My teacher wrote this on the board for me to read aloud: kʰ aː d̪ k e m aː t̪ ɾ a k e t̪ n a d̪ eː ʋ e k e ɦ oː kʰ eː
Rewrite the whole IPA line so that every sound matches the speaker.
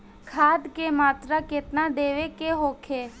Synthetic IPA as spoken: kʰ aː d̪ k e m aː t̪ ɾ a k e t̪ n a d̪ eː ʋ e k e ɦ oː kʰ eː